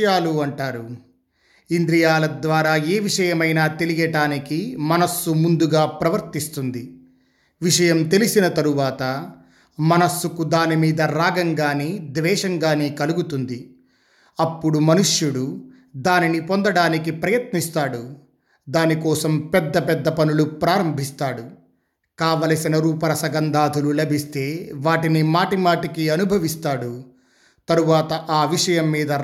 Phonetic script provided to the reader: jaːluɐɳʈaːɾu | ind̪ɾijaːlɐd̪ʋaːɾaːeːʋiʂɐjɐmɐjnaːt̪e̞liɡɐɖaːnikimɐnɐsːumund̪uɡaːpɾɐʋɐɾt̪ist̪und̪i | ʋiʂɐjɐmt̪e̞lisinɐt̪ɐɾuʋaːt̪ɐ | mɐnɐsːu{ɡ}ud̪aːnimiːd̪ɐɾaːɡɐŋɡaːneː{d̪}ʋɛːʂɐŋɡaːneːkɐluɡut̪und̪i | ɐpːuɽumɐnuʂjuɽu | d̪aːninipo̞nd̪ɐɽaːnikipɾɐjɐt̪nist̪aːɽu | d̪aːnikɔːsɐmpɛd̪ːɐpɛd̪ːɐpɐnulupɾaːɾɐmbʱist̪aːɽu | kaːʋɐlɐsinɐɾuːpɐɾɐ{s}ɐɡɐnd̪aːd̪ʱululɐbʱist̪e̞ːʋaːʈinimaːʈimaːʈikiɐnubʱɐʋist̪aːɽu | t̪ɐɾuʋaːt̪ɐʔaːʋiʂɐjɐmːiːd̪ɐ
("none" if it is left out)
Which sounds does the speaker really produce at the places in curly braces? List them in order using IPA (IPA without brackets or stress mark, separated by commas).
k, d̪, s